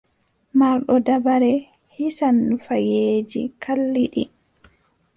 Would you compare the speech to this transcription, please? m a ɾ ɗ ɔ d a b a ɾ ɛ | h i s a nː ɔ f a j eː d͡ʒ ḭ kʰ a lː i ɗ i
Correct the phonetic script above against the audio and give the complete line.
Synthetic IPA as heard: m a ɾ ɗ ɔ d a b a ɾ ɛ | h i s a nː u f a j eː d͡ʒ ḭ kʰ a lː i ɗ i